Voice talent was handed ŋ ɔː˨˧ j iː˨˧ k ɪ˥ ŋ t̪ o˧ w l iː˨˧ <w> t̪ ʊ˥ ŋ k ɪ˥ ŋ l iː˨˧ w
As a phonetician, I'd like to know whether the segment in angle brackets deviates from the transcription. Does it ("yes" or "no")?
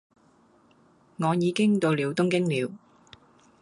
no